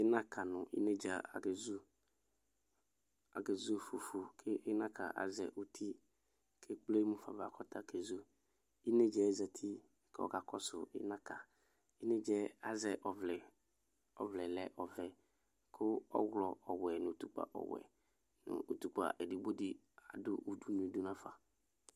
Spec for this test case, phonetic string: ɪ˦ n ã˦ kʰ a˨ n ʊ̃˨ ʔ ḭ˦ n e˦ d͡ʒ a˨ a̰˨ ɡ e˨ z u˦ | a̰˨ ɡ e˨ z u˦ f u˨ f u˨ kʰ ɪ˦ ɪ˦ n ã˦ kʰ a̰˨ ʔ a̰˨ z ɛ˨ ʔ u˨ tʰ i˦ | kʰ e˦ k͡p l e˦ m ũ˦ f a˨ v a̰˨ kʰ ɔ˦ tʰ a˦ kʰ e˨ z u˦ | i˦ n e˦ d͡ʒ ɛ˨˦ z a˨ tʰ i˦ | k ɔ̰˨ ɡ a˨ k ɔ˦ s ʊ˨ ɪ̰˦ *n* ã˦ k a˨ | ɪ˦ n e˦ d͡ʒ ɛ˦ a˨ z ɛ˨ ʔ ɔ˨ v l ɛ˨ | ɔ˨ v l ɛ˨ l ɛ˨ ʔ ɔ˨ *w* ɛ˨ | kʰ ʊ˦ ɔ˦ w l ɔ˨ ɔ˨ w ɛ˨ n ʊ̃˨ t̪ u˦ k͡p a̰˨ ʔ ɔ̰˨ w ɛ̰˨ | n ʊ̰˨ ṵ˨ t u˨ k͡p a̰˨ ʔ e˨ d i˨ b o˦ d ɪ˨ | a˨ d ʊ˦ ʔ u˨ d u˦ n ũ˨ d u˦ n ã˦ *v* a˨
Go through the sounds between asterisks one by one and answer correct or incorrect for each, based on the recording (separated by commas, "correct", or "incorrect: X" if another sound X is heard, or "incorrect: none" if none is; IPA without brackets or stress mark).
correct, incorrect: v, incorrect: f